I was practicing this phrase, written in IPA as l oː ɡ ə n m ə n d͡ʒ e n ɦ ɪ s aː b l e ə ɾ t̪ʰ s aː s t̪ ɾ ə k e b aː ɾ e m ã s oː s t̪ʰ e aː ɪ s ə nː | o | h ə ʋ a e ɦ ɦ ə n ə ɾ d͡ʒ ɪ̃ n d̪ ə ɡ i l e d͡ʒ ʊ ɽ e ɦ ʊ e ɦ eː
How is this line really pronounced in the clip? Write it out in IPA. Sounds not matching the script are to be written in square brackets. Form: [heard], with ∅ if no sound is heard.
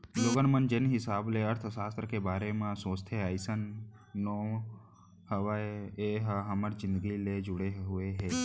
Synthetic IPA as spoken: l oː ɡ ə n m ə n d͡ʒ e n ɦ ɪ s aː b l e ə ɾ t̪ʰ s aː s t̪ ɾ ə k e b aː ɾ e m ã s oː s t̪ʰ e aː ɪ s ə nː | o | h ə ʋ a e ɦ ɦ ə [m] ə ɾ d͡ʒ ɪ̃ n d̪ ə ɡ i l e d͡ʒ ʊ ɽ e ɦ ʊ e ɦ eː

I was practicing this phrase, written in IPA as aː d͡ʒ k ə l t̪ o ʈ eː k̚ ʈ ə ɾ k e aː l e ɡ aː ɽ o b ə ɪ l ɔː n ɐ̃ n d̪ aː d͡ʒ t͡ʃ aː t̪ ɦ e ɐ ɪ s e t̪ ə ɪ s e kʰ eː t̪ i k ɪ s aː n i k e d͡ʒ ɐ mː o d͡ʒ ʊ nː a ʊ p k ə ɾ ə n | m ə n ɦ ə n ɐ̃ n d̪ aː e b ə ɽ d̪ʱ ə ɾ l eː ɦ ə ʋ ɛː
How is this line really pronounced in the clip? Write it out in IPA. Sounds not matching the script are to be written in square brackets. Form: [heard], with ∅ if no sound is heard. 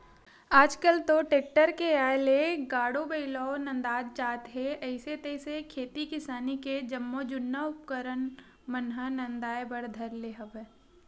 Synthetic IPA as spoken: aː d͡ʒ k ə l t̪ o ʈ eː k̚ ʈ ə ɾ k e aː l e ɡ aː ɽ o b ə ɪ l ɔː n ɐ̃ n d̪ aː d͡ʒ t͡ʃ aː t̪ ɦ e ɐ ɪ s e t̪ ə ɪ s e kʰ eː t̪ i k ɪ s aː n i k e d͡ʒ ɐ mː o d͡ʒ ʊ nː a ʊ p k ə ɾ ə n | m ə n ɦ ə n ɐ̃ n d̪ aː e b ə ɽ d̪ʱ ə ɾ l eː ɦ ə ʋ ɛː

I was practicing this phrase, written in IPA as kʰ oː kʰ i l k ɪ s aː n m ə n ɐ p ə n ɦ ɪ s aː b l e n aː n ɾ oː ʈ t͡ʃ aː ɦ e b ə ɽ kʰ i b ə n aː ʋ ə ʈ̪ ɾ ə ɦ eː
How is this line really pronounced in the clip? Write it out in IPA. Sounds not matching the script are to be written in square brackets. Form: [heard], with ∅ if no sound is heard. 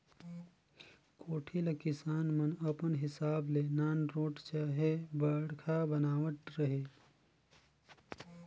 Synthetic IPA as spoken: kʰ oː [ʈʰ] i l k ɪ s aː n m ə n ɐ p ə n ɦ ɪ s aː b l e n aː n ɾ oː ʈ t͡ʃ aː ɦ e b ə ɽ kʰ [a] b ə n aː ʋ ə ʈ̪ ɾ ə ɦ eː

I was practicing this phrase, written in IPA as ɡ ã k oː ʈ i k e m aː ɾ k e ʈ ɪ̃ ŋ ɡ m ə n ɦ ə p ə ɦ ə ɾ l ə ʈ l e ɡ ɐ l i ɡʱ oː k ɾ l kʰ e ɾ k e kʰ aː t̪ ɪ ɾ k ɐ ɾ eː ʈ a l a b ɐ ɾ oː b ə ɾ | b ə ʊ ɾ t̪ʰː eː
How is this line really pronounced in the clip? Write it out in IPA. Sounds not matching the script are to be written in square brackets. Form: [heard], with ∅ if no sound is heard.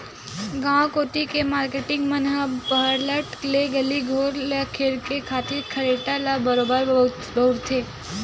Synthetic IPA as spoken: ɡ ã k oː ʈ i k e m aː ɾ k e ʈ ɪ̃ ŋ ɡ m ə n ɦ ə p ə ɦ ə ɾ l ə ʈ l e ɡ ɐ l i ɡʱ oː [∅] ɾ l kʰ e ɾ k e kʰ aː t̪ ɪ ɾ [kʰ] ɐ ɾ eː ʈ a l a b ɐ ɾ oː b ə ɾ | b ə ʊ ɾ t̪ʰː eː

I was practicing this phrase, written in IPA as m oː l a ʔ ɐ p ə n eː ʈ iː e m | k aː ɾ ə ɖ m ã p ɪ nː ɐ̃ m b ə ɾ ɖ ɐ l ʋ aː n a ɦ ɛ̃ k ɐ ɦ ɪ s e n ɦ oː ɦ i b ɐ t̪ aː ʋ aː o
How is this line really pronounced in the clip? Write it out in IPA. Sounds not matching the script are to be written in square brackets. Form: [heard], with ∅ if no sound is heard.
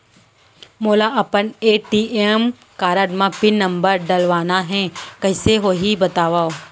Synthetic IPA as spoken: m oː l a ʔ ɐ p ə n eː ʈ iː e m | k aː ɾ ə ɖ m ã p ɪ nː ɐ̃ m b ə ɾ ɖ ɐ l ʋ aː n a ɦ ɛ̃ k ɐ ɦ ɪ s e [∅] ɦ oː ɦ i b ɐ t̪ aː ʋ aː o

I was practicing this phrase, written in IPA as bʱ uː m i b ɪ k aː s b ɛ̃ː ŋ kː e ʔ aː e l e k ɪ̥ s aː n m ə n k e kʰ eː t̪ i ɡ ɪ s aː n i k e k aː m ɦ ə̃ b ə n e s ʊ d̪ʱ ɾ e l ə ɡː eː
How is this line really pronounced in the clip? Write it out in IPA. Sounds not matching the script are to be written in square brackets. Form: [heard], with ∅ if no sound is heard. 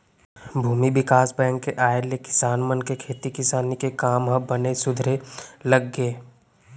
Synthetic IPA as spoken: bʱ uː m i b ɪ k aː s b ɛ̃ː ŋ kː e ʔ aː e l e k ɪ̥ s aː n m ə n k e kʰ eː t̪ i [k] ɪ s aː n i k e k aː m ɦ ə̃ b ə n e s ʊ d̪ʱ ɾ e l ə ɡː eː

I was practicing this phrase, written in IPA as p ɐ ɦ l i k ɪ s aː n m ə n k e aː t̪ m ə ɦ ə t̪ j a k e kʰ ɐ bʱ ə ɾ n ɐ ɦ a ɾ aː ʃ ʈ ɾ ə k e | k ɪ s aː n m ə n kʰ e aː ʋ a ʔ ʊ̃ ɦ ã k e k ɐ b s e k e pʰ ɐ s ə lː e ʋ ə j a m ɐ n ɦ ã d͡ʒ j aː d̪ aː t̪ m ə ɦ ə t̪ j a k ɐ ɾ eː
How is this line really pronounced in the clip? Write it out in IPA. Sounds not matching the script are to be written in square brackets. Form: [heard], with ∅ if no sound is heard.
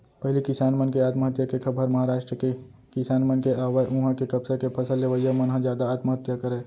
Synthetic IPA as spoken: p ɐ ɦ l i k ɪ s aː n m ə n k e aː t̪ m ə ɦ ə t̪ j a k e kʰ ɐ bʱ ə ɾ [m] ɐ ɦ a ɾ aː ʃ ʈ ɾ ə k e | k ɪ s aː n m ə n [k] e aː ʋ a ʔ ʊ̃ ɦ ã k e k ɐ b s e k e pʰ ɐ s ə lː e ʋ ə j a m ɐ n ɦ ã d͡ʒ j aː d̪ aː t̪ m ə ɦ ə t̪ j a k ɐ ɾ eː

